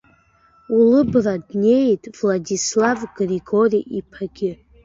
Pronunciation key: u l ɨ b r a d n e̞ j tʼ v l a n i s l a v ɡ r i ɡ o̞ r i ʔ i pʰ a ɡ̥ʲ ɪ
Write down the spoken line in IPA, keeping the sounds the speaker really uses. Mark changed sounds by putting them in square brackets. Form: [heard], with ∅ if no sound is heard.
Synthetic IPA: u l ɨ b r a d n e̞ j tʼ v l a [d] i s l a v ɡ r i ɡ o̞ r i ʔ i pʰ a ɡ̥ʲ ɪ